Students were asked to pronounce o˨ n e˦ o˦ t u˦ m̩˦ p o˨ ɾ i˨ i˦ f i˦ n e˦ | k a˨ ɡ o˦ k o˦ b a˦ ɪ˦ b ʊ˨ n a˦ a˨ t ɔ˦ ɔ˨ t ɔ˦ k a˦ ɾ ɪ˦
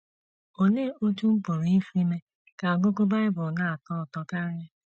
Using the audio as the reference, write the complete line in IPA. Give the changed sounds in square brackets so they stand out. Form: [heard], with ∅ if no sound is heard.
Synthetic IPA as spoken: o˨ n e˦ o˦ t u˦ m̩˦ p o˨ ɾ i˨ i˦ f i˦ [m] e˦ | k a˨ ɡ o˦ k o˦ b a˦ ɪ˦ b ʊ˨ n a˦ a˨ t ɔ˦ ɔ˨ t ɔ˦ k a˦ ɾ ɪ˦